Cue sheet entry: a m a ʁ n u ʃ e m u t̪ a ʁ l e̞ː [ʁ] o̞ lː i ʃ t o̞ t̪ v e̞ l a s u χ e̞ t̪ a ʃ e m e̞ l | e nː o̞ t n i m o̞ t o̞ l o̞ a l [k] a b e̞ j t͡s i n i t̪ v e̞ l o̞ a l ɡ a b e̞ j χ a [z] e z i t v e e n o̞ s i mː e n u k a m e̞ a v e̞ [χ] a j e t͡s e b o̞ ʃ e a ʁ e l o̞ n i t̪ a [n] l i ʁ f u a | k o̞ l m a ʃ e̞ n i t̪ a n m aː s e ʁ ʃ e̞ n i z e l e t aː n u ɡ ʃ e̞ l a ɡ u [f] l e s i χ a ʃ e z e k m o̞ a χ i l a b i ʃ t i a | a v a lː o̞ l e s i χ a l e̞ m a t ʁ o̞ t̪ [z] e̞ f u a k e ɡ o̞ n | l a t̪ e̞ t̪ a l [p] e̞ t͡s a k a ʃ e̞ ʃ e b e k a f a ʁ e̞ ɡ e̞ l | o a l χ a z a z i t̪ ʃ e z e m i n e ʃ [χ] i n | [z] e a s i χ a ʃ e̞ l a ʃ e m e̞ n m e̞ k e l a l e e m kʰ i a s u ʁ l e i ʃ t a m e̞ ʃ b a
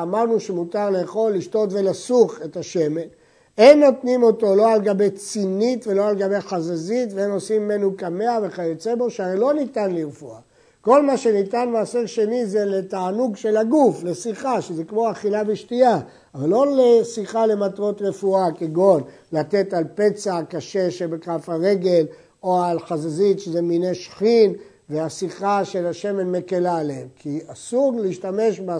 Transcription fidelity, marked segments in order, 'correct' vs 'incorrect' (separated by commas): incorrect, incorrect, correct, correct, correct, correct, incorrect, correct, correct, incorrect